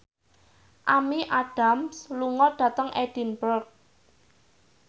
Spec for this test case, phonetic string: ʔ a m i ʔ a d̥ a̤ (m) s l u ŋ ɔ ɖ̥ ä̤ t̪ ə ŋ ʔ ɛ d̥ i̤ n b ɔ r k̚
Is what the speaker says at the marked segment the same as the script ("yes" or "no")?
yes